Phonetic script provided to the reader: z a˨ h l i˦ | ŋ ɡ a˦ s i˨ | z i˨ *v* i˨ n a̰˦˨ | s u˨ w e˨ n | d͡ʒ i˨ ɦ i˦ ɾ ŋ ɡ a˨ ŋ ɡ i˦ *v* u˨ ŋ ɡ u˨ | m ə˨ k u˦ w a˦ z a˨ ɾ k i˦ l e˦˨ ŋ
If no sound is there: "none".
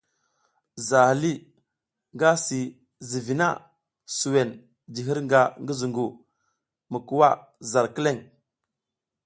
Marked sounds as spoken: v, z

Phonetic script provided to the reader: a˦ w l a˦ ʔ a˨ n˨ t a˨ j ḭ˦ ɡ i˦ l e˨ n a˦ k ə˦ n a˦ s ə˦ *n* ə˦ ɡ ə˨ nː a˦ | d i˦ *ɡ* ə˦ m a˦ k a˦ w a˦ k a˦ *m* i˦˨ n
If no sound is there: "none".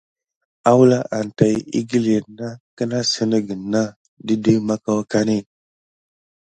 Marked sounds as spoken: n, d, n

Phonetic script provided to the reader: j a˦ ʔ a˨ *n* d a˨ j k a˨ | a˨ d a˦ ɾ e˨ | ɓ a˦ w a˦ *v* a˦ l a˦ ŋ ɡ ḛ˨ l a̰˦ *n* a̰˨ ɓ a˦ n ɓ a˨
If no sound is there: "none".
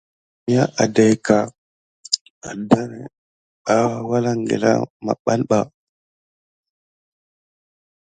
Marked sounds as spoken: none, w, m

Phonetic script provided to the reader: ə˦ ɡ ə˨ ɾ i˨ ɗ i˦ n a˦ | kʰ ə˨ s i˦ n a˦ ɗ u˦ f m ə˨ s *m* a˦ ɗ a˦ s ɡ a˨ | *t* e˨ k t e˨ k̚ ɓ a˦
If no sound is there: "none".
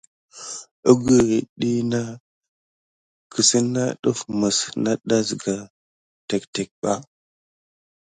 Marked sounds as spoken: n, t

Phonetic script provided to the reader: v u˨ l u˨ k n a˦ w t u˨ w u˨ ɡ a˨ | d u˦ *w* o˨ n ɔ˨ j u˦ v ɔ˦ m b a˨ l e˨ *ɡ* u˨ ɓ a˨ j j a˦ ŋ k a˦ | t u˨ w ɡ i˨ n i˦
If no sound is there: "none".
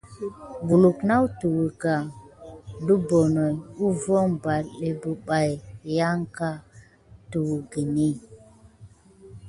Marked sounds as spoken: b, b

